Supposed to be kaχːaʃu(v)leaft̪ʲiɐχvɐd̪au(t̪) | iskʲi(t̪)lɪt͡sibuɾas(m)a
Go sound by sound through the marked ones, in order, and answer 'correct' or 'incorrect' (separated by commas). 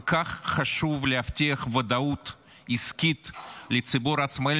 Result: correct, correct, correct, correct